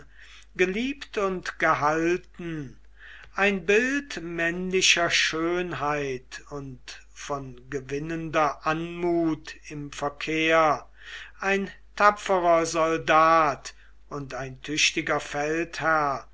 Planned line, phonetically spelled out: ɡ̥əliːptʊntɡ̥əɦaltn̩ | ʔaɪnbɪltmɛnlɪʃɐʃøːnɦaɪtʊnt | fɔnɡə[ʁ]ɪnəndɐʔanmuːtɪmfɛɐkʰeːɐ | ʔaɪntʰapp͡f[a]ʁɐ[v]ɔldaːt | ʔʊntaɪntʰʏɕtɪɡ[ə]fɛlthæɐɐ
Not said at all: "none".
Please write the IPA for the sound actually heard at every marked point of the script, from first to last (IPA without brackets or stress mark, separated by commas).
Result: v, ə, z, ɐ